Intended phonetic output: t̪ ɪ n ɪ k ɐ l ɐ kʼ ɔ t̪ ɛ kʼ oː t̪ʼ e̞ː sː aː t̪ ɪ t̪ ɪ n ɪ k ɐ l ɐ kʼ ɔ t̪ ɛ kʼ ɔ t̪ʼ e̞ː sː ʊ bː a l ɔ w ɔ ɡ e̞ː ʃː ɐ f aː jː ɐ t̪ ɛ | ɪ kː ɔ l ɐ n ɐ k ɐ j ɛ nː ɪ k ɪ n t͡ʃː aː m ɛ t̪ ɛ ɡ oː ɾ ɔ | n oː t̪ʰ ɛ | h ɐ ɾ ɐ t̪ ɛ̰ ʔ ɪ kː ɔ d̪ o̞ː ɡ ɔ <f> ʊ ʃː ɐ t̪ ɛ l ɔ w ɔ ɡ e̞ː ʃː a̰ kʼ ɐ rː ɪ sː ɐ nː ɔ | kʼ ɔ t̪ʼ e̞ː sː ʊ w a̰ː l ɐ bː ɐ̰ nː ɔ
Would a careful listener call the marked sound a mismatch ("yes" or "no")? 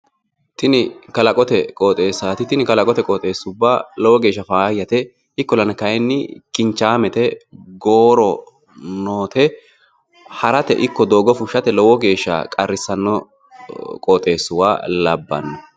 no